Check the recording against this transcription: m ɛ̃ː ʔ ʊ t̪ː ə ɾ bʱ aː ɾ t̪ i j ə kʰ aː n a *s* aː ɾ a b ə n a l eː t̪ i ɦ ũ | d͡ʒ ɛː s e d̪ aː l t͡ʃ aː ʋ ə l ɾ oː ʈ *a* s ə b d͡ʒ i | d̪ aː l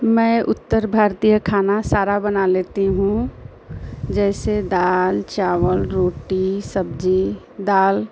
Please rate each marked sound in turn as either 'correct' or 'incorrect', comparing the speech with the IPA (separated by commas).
correct, incorrect